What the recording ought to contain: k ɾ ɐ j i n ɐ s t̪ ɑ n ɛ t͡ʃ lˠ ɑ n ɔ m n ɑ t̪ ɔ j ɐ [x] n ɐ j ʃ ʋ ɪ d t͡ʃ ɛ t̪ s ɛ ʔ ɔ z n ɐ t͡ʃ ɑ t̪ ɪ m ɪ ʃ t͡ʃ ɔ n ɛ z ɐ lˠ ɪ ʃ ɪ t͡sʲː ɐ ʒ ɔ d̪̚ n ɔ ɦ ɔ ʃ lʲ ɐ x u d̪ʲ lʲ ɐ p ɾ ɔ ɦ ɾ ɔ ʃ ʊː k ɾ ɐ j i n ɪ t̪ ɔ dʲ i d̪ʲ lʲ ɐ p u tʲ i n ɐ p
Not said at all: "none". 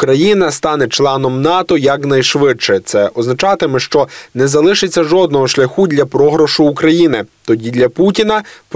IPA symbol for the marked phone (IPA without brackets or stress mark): k